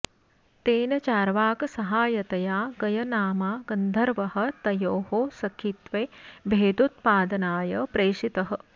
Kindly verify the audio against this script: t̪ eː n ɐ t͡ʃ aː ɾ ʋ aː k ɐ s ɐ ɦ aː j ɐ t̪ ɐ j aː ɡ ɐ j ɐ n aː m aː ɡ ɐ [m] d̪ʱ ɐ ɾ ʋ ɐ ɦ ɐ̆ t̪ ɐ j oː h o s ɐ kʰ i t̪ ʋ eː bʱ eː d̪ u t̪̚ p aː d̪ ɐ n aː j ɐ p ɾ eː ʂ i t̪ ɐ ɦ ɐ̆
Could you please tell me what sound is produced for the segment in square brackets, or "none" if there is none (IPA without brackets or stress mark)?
n